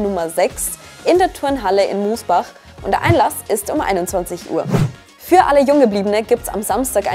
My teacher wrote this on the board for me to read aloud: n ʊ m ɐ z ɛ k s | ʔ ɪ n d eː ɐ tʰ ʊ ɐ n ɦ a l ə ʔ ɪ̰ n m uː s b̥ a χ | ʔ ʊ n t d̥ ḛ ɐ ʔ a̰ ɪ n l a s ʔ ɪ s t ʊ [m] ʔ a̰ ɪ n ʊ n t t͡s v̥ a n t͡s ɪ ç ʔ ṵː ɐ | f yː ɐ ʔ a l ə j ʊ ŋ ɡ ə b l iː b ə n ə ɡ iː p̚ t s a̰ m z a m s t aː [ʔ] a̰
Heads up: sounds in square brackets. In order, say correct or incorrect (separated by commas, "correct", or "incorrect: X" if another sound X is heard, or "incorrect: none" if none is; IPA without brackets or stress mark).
correct, incorrect: k